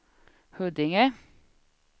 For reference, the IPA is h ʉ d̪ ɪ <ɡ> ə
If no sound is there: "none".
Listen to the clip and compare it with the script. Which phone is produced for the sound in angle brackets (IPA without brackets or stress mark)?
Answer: ŋ